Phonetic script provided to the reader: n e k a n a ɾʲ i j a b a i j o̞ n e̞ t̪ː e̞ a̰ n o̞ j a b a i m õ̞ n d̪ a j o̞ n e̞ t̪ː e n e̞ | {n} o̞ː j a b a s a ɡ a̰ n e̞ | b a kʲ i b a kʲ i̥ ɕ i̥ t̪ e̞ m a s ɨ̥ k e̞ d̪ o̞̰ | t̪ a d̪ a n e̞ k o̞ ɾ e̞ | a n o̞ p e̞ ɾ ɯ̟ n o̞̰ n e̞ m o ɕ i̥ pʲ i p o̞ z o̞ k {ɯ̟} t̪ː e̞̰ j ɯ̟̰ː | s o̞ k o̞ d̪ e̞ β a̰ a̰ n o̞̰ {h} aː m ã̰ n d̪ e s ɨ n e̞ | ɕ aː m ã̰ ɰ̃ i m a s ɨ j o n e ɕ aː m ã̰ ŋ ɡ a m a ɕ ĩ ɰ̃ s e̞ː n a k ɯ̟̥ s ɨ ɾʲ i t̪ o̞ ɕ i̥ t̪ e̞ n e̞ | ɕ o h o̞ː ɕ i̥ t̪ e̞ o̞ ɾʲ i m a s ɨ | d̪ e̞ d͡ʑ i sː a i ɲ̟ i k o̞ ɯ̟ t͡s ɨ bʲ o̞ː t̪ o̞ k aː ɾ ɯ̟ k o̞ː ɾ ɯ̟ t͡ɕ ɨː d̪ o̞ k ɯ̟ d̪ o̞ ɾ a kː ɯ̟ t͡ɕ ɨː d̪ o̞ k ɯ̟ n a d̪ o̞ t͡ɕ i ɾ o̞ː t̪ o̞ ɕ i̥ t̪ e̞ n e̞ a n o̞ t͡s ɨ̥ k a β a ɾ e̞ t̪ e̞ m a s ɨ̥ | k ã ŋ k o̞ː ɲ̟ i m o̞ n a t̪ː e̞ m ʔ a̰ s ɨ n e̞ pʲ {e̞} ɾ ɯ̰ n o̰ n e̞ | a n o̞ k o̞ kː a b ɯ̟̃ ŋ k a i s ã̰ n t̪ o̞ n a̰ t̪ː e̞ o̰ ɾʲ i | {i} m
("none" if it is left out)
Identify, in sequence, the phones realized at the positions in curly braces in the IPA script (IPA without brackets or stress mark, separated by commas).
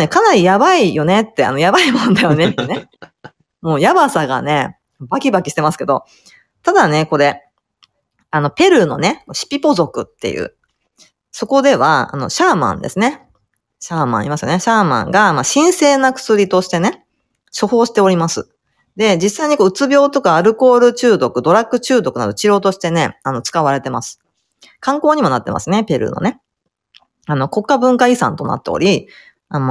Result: m, ɯ̟, ɕ, e̞, a